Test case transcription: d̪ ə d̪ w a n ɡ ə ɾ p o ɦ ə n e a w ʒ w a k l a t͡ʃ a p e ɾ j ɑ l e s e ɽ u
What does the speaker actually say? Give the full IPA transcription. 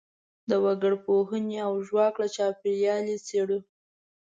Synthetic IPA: d̪ ə w a ɡ ə ɽ p o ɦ ə n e a w ʒ w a k l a t͡ʃ ɑ p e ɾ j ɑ l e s e ɽ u